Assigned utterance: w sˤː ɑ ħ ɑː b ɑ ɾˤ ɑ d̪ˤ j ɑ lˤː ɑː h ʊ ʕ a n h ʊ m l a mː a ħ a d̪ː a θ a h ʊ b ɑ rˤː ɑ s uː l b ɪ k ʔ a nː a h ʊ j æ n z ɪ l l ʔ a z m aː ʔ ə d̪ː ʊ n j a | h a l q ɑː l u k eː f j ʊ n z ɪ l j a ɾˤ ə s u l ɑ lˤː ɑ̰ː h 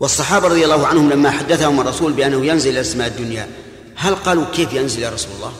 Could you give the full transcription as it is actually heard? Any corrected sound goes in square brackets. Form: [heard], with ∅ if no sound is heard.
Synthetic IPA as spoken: w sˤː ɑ ħ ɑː b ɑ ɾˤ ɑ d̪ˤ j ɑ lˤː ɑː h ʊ ʕ a n h ʊ m l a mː a ħ a d̪ː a θ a h ʊ [m] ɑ rˤː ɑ s uː l b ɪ [∅] ʔ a nː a h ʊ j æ n z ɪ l l ʔ a [s] m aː ʔ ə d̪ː ʊ n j a | h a l q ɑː l u k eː f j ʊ n z ɪ l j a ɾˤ [ɑ] s u l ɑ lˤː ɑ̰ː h